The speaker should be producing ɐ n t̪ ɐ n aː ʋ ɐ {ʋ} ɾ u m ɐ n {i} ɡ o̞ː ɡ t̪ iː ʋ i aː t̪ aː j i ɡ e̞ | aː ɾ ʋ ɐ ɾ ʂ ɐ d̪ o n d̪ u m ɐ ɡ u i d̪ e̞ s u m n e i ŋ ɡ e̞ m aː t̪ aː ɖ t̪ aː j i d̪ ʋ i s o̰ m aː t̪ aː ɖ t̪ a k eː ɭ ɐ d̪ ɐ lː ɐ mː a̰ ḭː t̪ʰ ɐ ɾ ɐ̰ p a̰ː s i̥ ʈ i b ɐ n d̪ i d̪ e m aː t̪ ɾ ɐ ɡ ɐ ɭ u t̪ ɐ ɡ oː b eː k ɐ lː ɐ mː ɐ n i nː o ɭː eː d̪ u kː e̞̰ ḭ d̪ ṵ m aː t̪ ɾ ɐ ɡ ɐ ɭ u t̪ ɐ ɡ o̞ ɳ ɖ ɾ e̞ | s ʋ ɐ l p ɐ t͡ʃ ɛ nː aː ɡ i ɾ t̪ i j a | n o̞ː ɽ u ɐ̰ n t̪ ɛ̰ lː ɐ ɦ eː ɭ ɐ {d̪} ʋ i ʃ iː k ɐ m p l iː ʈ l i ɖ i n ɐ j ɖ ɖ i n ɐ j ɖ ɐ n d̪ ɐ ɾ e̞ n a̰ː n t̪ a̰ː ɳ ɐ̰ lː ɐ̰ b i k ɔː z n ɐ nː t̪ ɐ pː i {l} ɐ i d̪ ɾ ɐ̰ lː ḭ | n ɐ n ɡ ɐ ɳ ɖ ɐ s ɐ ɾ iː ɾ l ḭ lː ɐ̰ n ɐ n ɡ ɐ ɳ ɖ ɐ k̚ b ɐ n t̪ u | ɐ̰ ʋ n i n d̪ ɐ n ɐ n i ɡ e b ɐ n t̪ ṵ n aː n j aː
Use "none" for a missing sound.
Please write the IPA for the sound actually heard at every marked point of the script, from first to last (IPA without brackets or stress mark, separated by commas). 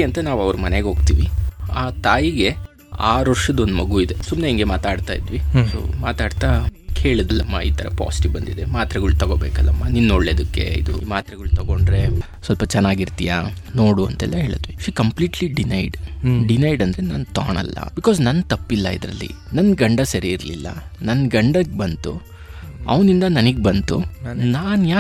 ʋ, e, d̪, lː